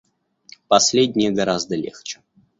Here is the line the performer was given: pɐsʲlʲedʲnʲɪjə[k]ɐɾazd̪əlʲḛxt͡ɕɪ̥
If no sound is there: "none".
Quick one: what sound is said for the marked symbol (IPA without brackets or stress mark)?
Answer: ɡ